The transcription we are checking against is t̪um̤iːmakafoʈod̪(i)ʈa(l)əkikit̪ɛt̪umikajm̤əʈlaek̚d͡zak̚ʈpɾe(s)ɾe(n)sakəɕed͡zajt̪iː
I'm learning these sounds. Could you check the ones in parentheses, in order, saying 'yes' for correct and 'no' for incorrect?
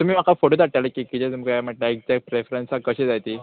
no, yes, no, yes

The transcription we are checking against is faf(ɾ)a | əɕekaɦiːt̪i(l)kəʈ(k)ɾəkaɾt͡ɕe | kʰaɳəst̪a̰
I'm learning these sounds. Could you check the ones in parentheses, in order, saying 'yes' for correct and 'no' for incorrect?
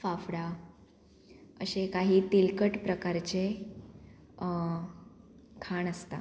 no, yes, no

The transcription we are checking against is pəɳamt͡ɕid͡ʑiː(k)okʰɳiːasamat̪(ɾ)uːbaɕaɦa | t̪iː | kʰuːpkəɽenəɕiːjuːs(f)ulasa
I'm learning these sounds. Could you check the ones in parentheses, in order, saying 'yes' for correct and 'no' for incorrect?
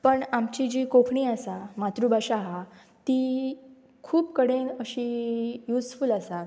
yes, yes, yes

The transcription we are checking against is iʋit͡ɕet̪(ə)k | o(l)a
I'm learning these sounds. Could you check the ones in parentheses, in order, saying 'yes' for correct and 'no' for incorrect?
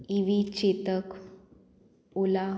yes, yes

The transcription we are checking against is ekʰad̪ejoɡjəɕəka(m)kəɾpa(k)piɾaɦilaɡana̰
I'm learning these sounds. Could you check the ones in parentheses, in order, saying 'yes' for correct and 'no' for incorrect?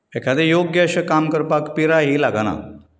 yes, yes

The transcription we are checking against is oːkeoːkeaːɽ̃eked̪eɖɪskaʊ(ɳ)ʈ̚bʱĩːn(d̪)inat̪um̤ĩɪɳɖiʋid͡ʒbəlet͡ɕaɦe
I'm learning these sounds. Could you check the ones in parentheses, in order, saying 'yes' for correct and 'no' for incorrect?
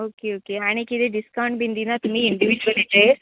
yes, yes

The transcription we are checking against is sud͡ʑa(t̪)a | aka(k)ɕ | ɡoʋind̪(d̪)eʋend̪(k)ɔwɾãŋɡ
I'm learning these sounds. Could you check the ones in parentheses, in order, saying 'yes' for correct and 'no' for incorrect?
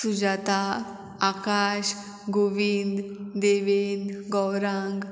yes, no, yes, no

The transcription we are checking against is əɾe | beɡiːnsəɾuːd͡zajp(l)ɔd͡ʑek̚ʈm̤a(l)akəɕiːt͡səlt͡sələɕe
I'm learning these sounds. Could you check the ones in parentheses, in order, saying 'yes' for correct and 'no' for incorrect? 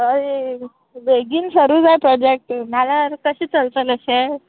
no, yes

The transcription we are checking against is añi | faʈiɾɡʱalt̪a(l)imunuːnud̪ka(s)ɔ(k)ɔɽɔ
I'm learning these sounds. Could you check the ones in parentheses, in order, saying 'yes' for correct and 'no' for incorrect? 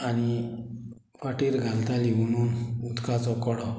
yes, no, yes

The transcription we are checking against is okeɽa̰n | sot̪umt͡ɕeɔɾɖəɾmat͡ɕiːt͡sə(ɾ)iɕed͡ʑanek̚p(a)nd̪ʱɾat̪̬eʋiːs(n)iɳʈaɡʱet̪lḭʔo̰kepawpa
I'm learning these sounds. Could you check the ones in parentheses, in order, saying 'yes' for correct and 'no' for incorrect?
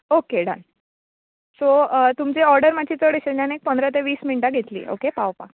no, no, no

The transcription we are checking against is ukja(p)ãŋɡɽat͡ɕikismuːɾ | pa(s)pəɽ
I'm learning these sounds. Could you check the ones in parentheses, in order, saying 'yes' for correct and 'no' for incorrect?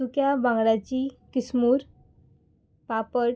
no, no

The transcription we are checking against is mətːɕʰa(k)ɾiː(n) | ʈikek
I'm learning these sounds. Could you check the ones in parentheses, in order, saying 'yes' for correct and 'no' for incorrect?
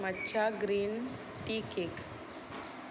no, yes

